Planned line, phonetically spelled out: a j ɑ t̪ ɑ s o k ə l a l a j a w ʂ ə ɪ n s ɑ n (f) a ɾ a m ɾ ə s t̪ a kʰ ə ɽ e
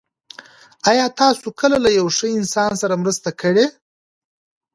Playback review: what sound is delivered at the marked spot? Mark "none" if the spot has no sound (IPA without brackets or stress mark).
s